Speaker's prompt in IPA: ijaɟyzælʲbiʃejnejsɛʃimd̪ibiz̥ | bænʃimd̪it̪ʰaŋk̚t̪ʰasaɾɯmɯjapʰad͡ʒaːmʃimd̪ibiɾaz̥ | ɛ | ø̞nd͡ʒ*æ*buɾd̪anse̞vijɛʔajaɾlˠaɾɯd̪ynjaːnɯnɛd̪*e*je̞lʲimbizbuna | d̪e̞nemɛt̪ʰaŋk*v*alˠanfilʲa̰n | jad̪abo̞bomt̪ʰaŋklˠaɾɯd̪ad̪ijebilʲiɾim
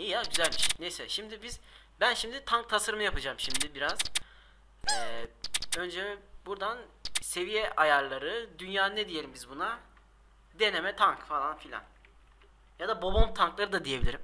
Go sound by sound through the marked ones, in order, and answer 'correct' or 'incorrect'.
incorrect: ɛ, incorrect: i, incorrect: f

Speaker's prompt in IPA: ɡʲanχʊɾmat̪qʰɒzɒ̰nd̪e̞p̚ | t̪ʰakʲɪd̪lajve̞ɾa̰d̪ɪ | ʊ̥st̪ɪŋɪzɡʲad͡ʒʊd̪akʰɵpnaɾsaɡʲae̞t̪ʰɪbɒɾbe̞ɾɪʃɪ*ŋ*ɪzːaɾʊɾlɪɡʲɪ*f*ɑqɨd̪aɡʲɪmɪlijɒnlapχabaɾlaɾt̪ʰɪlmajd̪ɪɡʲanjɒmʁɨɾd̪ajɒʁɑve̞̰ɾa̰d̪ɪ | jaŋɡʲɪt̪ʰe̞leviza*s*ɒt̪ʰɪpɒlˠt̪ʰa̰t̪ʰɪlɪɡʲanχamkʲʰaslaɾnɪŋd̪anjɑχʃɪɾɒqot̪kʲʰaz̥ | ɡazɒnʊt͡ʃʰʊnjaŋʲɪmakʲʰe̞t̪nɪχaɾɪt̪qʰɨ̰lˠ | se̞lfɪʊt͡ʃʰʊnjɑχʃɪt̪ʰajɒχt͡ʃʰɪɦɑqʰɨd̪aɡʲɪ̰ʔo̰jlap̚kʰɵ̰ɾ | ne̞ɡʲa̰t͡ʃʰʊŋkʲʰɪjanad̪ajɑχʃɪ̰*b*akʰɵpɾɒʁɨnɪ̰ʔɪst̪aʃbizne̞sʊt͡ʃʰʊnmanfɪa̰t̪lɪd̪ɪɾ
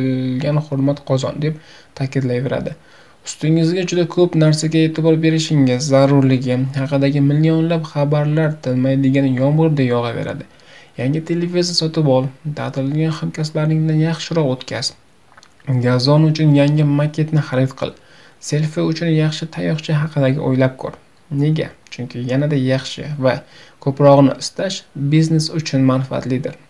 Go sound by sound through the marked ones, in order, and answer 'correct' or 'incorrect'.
correct, incorrect: h, correct, incorrect: v

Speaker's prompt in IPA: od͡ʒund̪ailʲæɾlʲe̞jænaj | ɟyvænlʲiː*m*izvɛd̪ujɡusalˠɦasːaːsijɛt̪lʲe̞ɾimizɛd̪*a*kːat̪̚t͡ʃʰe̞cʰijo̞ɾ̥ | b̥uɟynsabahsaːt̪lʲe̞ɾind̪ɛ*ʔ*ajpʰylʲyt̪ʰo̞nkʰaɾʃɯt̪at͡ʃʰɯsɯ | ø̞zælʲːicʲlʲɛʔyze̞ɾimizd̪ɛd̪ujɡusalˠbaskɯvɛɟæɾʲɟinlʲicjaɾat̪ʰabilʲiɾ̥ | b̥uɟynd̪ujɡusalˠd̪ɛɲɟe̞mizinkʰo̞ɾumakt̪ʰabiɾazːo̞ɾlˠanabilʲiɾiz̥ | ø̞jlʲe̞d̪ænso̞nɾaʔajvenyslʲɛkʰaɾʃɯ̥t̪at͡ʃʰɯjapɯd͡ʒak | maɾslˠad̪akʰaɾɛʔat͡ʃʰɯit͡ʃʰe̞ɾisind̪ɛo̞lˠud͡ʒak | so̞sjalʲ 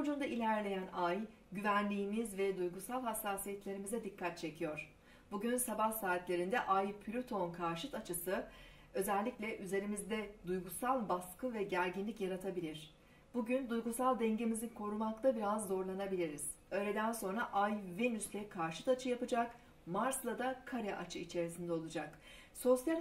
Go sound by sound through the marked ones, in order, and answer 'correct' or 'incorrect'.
correct, incorrect: i, correct

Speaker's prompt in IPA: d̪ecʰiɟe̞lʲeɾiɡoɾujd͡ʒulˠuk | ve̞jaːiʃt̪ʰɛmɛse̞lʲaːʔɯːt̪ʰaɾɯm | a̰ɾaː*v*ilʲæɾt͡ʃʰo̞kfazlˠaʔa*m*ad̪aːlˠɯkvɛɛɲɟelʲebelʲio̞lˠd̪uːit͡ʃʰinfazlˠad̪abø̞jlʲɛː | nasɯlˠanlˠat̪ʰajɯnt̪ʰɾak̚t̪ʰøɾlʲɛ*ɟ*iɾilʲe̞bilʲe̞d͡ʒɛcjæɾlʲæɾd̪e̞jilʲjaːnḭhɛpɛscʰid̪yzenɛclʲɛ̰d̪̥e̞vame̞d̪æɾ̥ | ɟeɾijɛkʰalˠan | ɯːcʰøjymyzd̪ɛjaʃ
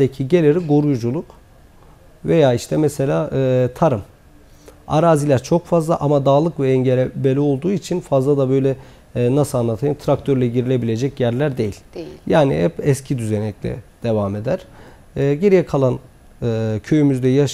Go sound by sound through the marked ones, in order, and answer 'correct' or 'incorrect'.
incorrect: z, correct, correct

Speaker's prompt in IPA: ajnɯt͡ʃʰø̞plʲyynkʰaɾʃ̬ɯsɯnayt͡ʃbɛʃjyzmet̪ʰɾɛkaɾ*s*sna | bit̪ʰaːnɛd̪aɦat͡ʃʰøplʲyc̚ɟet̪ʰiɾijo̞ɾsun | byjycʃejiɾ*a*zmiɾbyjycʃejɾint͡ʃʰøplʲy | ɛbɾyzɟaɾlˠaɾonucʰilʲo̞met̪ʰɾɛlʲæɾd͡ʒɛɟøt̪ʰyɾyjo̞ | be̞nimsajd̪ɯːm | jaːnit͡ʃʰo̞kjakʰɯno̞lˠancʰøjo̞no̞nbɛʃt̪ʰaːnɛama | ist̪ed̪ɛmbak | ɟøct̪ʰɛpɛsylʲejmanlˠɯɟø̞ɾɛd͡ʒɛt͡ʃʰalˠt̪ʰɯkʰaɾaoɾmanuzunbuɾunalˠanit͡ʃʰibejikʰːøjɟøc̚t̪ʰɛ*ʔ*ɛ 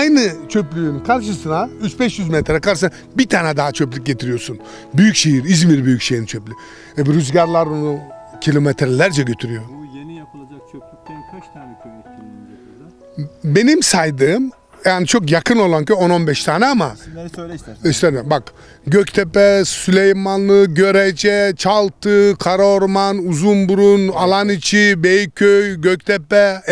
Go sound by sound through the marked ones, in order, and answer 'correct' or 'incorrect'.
incorrect: ʃ, incorrect: i, incorrect: p

